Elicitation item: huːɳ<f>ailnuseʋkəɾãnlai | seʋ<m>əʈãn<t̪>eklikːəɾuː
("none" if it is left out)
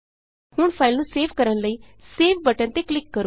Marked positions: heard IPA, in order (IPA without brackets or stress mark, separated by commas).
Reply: f, b, t̪